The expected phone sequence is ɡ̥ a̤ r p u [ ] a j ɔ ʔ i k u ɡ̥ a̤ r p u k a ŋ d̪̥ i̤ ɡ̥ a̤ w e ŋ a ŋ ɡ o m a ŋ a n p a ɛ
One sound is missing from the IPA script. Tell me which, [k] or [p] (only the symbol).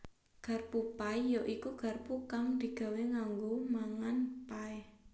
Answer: p